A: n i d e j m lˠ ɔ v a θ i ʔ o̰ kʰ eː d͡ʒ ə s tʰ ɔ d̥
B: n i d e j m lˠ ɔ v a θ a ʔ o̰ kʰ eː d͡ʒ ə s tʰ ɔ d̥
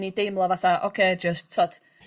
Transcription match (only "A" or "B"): B